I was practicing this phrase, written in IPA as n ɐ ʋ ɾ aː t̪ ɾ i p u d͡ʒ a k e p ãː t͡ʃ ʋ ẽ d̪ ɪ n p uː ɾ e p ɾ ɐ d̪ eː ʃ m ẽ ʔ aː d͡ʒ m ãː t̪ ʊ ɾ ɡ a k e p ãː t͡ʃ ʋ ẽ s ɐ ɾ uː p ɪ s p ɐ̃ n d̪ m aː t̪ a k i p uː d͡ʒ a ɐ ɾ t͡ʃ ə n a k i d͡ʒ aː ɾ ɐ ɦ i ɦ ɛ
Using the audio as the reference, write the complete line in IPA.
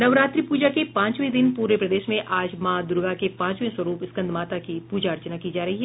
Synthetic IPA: n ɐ ʋ ɾ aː t̪ ɾ i p uː d͡ʒ a k e p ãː t͡ʃ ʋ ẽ d̪ ɪ n p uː ɾ e p ɾ ɐ d̪ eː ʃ m ẽ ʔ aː d͡ʒ m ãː d̪ ʊ ɾ ɡ a k e p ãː t͡ʃ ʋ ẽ s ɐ ɾ uː p ɪ s k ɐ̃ n d̪ m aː t̪ a k i p uː d͡ʒ a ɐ ɾ t͡ʃ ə n a k i d͡ʒ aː ɾ ɐ ɦ i ɦ ɛ

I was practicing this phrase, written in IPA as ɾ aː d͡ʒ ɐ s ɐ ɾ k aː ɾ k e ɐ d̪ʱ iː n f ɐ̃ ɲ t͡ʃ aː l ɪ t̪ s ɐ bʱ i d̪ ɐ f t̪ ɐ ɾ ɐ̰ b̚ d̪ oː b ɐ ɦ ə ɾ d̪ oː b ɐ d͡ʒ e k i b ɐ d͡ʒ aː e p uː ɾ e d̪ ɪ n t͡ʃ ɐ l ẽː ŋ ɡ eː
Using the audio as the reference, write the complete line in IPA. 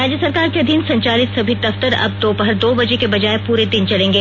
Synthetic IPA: ɾ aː d͡ʒ ə s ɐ ɾ k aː ɾ k e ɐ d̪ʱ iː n s ɐ̃ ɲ t͡ʃ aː l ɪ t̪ s ɐ bʱ i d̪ ɐ f t̪ ə ɾ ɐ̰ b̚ d̪ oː b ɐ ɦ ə ɾ d̪ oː b ɐ d͡ʒ e k e b ɐ d͡ʒ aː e p uː ɾ e d̪ ɪ n t͡ʃ ɐ l ẽː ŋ ɡ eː

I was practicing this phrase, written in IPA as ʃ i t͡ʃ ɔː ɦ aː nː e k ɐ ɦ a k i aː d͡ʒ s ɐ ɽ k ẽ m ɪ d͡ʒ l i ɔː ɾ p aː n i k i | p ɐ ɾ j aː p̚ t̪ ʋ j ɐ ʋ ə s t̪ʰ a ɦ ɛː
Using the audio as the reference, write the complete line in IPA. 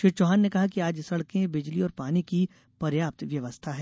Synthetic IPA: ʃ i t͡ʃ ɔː ɦ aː nː e k ɐ ɦ a k i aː d͡ʒ s ɐ ɽ k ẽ b ɪ d͡ʒ l i ɔː ɾ p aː n i k i | p ɐ ɾ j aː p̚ t̪ ʋ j ɐ ʋ ə s t̪ʰ a ɦ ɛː

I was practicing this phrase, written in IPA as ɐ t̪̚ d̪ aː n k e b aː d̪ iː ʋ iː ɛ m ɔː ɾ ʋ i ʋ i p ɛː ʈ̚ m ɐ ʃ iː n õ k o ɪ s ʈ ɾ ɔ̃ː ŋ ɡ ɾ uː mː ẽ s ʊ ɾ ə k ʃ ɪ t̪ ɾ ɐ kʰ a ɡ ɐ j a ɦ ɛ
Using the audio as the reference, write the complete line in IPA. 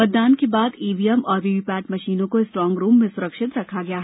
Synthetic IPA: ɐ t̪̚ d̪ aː n k e b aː d̪ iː ʋ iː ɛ m ɔː ɾ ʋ i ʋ i p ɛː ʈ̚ m ɐ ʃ iː n õ k o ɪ s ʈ ɾ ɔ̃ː ŋ ɡ ɾ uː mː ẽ s ʊ ɾ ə k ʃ ɪ t̪ ɾ ɐ kʰ a ɡ ɐ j a ɦ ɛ

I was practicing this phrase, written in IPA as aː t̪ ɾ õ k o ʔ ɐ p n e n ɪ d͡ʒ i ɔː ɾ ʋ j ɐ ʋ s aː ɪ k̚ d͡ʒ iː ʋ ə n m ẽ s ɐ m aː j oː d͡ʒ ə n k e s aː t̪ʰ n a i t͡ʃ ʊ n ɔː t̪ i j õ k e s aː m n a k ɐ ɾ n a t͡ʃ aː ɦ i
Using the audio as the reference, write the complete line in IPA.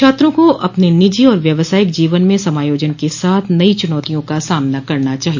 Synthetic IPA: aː t̪ ɾ õ k o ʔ ɐ p n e n ɪ d͡ʒ i ɔː ɾ ʋ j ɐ ʋ s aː ɪ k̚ d͡ʒ iː ʋ ə n m ẽ s ɐ m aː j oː d͡ʒ ə n k e s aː t̪ʰ n ɐ i t͡ʃ ʊ n ɔː t̪ i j õ k a s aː m n a k ɐ ɾ n a t͡ʃ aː ɦ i

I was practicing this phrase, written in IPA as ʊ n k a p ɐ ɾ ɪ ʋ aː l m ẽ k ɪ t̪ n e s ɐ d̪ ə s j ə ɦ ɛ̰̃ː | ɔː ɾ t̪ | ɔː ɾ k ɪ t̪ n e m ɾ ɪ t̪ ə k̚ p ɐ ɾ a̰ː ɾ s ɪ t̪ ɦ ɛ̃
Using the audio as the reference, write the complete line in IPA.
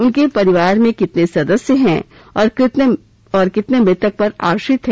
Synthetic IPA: ʊ n k e p ɐ ɾ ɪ ʋ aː ɾ m ẽ k ɪ t̪ n e s ɐ d̪ ə s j ə ɦ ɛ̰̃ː | ɔː ɾ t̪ | ɔː ɾ k ɪ t̪ n e m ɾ ɪ t̪ ə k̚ p ɐ ɾ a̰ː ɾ ʃ ɪ t̪ ɦ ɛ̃

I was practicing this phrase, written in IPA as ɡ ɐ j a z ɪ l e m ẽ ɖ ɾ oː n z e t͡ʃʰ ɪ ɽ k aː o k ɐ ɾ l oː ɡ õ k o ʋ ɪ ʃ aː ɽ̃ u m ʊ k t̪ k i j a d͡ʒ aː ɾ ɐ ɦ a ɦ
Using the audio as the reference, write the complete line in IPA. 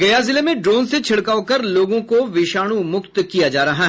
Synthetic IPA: ɡ ɐ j a z ɪ l e m ẽ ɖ ɾ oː n s e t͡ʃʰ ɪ ɽ k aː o k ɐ ɾ l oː ɡ õ k o ʋ ɪ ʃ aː ɽ̃ u m ʊ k t̪ k i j a d͡ʒ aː ɾ ɐ ɦ a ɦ

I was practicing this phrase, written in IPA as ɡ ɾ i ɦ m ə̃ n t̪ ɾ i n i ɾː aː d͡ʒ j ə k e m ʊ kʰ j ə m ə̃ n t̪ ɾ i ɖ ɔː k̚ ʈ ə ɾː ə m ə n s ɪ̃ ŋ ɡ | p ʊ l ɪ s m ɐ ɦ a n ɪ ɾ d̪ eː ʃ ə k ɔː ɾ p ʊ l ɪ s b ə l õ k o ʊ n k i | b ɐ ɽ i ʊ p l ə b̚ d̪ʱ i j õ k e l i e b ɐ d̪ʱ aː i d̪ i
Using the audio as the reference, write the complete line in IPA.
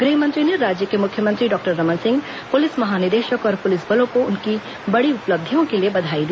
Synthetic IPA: ɡ ɾ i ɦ m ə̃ n t̪ ɾ i n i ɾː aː d͡ʒ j ə k e m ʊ kʰ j ə m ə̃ n t̪ ɾ i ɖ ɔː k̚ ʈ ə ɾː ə m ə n s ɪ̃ ŋ ɡ | p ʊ l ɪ s m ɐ ɦ a n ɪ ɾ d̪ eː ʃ ə k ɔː ɾ p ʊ l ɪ s b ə l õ k o ʊ n k i | b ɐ ɽ i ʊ p l ə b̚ d̪ʱ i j õ k e l i e b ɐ d̪ʱ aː i d̪ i

